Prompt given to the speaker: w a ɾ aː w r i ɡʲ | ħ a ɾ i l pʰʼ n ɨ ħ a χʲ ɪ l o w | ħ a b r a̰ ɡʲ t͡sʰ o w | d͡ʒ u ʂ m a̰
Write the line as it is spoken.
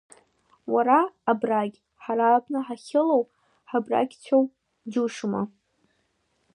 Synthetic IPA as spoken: w a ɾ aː b r a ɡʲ | ħ a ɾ a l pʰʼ n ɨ ħ a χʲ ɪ l o w | ħ a b r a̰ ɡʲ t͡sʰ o w | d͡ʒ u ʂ m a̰